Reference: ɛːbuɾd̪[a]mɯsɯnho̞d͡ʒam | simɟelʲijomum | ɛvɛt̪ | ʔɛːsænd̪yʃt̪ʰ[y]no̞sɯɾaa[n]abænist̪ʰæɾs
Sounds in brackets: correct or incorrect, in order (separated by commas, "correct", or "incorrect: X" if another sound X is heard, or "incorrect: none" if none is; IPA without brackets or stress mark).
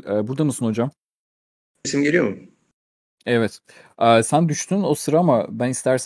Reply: correct, correct, incorrect: m